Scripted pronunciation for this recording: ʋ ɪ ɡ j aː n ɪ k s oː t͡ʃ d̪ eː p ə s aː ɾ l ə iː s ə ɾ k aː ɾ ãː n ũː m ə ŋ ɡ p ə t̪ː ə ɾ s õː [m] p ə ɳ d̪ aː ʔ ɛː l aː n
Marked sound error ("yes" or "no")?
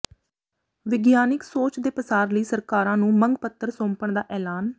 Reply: no